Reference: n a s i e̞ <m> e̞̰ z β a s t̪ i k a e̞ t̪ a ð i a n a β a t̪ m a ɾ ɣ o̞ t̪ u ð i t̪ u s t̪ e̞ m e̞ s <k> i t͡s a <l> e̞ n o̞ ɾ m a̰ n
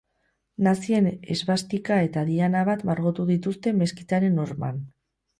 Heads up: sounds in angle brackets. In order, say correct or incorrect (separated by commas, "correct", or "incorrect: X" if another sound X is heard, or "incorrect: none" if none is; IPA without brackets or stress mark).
incorrect: n, correct, incorrect: ɾ